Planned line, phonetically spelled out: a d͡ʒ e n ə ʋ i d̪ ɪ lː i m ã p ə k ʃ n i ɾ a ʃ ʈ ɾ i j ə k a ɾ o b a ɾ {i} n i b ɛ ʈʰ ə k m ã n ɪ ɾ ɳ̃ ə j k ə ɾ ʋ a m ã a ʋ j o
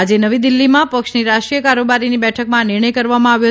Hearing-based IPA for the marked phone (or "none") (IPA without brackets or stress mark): i